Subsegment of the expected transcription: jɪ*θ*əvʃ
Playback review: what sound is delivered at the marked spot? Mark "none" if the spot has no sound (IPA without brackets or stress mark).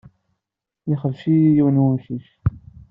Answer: χ